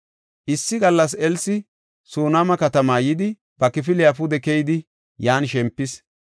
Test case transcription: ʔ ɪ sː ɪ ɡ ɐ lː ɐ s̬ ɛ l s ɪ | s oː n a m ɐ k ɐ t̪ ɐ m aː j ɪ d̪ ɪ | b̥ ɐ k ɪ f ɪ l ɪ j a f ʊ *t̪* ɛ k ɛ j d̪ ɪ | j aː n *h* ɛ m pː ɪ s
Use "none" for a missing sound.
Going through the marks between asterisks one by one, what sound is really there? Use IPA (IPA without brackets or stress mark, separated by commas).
d̪, ʃ